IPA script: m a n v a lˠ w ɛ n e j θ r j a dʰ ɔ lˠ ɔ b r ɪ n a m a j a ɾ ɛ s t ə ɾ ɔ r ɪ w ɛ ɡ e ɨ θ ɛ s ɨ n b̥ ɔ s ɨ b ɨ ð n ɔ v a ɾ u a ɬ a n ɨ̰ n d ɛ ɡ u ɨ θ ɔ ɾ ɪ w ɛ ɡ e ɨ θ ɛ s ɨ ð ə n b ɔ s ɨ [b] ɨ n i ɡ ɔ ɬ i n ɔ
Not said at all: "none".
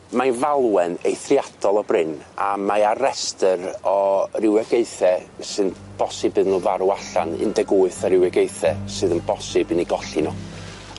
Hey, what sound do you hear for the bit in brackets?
b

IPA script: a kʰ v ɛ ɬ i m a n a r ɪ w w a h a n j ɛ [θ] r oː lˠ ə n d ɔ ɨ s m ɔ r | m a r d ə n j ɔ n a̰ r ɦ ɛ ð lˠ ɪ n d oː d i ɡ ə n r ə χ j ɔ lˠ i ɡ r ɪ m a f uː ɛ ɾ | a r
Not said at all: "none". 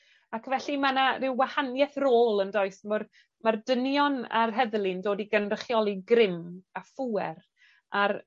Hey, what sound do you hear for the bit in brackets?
θ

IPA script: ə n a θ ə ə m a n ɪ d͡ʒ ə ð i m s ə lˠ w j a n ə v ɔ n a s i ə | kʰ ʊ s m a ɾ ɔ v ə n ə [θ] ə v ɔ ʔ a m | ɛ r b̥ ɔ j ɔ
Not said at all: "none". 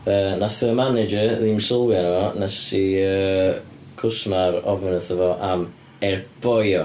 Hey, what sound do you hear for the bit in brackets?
θ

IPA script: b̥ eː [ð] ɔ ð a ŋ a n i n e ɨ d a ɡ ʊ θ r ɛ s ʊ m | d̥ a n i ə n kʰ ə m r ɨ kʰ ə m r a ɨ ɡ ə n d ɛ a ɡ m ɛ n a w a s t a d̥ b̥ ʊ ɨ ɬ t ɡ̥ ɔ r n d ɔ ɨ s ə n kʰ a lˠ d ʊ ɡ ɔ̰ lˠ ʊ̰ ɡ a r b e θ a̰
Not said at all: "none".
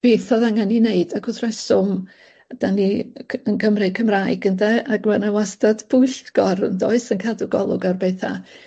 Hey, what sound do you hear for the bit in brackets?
θ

